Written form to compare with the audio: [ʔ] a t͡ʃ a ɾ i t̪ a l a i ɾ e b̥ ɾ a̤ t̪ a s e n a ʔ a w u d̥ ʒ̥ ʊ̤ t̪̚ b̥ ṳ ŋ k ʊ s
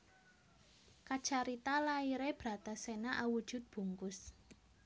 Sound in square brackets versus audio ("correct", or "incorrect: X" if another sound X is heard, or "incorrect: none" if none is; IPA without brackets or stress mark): incorrect: k